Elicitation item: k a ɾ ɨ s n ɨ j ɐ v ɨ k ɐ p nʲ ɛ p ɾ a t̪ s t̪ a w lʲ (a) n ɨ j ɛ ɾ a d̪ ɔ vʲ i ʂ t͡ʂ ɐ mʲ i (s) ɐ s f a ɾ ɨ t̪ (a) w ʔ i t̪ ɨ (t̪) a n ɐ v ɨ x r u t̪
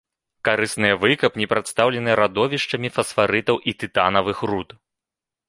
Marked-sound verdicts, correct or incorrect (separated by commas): incorrect, incorrect, incorrect, correct